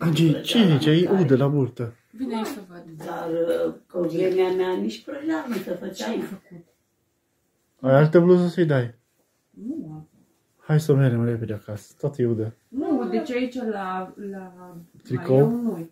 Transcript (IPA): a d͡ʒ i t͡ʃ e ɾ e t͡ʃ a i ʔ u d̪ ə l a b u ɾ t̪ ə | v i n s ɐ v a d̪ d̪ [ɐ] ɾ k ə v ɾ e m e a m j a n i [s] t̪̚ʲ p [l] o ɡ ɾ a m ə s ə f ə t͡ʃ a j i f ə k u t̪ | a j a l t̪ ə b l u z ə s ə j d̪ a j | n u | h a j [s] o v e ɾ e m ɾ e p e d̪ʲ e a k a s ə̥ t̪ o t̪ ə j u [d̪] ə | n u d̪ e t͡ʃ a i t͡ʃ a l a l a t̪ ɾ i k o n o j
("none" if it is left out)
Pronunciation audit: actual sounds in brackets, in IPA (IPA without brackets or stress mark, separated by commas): a, ʃ, ɾ, s, d̪